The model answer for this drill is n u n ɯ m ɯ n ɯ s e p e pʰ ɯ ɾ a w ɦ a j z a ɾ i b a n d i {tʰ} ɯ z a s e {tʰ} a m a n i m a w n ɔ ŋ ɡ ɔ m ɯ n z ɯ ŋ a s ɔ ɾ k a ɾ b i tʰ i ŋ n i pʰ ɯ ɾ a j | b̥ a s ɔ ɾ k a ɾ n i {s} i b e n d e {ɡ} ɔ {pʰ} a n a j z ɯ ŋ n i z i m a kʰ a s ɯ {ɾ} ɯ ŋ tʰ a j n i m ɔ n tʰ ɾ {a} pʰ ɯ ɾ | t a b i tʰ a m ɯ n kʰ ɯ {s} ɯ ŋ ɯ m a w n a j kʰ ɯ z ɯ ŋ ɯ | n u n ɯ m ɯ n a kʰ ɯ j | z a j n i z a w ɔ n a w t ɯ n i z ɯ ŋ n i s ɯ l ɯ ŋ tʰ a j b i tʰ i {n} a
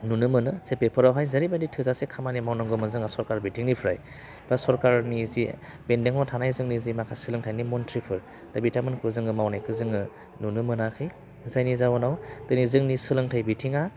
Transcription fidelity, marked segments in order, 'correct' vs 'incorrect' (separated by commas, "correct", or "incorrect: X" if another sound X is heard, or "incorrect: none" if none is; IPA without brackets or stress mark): correct, incorrect: kʰ, incorrect: z, incorrect: ŋ, incorrect: tʰ, incorrect: l, incorrect: i, incorrect: z, incorrect: ŋ